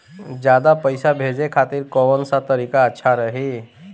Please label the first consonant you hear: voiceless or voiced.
voiced